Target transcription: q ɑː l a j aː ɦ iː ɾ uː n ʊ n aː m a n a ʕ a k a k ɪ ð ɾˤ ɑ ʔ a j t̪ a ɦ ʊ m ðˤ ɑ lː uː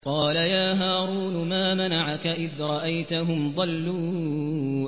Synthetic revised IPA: q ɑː l a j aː ɦ aː ɾ uː n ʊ m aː m a n a ʕ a k a ʔ ɪ ð ɾˤ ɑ ʔ a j t̪ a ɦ ʊ m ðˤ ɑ lː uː